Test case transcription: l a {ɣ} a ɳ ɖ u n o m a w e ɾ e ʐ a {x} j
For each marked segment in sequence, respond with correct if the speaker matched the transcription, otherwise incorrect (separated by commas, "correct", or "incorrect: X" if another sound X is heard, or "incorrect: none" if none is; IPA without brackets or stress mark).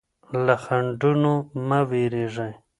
incorrect: x, incorrect: none